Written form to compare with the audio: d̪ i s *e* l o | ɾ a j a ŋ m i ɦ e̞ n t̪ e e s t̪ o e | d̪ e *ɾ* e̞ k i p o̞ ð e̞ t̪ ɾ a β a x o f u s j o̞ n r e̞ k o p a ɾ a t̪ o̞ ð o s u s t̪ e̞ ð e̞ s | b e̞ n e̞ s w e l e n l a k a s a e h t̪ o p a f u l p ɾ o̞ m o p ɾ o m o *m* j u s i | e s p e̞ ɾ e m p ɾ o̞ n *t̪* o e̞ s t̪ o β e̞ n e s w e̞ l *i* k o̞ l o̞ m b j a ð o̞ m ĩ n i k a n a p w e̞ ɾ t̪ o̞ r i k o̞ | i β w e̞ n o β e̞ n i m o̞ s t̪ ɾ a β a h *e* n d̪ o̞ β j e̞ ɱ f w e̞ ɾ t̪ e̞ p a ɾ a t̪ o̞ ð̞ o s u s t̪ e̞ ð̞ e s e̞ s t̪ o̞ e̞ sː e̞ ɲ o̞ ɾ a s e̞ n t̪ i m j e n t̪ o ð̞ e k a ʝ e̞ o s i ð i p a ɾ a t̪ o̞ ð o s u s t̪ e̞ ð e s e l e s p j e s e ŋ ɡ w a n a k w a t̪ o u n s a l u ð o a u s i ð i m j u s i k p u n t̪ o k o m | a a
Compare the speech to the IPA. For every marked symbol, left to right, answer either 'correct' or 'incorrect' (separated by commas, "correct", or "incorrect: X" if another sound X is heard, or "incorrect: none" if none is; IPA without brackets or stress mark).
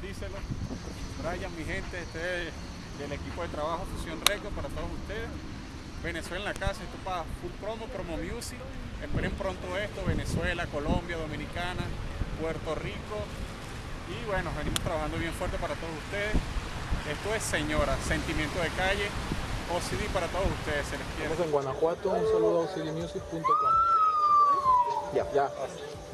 correct, incorrect: l, correct, correct, incorrect: a, incorrect: a